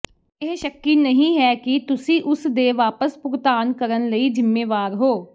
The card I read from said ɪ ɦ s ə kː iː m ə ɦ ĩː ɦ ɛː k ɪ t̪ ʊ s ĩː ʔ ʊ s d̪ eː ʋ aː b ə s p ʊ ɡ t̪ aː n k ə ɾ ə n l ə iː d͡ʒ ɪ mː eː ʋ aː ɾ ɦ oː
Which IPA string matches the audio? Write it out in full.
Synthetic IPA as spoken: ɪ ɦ ʃ ə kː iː n ə ɦ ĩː ɦ ɛː k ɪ t̪ ʊ s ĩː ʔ ʊ s d̪ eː ʋ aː p ə s p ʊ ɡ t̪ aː n k ə ɾ ə n l ə iː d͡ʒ ɪ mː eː ʋ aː ɾ ɦ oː